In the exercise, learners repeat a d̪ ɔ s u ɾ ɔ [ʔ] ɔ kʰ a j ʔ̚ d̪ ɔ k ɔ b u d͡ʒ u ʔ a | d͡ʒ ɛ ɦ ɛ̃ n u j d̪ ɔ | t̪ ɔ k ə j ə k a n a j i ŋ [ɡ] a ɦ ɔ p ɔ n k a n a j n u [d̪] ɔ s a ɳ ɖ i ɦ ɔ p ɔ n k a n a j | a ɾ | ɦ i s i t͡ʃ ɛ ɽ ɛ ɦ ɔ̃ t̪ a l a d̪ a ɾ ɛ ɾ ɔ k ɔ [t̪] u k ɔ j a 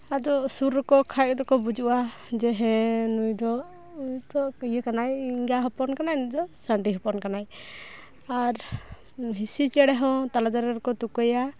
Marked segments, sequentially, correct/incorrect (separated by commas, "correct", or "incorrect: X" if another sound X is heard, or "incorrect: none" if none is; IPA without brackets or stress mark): incorrect: k, correct, correct, correct